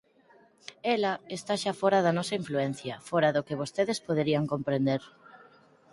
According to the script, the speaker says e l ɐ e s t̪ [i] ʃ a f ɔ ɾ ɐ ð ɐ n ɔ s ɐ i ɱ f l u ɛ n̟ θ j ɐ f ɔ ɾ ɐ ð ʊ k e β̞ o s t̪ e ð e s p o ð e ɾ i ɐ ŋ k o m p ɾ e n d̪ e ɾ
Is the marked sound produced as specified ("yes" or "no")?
no